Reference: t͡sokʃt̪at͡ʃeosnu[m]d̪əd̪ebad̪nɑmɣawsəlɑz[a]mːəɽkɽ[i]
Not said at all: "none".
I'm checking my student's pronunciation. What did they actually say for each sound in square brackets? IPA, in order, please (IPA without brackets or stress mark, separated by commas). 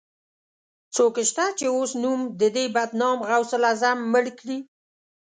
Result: m, a, i